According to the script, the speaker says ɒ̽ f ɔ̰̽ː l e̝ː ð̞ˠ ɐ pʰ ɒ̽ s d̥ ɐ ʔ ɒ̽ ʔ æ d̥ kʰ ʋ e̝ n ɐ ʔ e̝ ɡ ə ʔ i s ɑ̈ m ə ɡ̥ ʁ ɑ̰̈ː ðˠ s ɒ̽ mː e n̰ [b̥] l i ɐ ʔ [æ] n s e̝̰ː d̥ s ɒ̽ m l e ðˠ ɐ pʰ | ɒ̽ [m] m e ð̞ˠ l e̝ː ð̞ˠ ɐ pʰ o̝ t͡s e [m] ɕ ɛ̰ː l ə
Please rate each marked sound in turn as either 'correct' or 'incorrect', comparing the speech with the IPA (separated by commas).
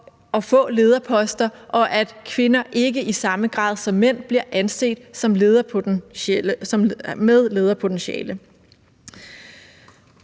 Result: correct, correct, correct, incorrect